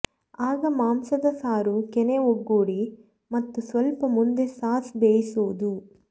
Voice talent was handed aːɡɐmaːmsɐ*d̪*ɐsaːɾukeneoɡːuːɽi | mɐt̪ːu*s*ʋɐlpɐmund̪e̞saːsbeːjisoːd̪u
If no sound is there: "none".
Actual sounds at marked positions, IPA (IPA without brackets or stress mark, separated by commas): d̪, s